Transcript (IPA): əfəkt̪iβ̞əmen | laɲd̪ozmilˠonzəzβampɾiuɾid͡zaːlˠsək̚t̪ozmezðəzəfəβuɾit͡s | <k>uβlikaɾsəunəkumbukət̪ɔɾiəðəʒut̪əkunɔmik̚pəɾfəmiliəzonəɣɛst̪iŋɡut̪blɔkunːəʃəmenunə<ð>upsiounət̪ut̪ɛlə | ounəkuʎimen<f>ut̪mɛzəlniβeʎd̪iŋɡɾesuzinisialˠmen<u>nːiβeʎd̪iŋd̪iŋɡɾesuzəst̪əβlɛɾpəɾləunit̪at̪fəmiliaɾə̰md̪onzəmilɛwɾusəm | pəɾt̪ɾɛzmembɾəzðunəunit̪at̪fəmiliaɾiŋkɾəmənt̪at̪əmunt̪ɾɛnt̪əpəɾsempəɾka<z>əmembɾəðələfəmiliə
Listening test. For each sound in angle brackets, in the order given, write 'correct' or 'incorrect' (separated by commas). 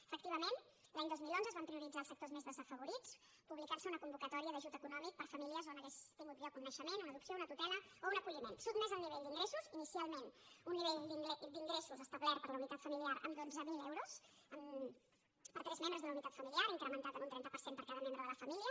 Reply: incorrect, correct, incorrect, correct, incorrect